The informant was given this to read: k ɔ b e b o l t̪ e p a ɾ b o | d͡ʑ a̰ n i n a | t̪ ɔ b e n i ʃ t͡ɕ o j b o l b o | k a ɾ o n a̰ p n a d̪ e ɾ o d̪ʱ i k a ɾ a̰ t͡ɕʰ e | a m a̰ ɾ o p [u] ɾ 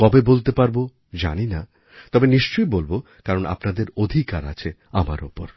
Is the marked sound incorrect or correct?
incorrect